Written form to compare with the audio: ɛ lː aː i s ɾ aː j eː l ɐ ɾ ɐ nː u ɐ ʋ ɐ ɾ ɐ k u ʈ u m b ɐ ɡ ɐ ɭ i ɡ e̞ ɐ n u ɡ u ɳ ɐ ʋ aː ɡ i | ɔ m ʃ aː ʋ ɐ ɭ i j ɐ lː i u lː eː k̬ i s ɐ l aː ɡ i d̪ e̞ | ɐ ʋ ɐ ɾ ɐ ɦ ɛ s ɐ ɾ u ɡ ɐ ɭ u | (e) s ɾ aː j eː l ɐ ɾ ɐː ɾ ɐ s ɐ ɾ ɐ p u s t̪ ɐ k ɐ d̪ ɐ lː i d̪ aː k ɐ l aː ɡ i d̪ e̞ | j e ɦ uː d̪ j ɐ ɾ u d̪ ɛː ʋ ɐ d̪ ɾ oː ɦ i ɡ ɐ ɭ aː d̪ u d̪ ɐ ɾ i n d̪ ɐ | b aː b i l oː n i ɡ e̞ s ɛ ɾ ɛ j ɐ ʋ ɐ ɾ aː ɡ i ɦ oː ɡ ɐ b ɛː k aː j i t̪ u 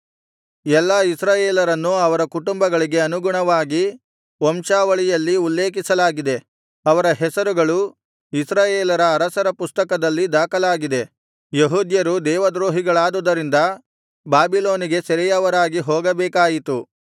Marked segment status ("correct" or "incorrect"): incorrect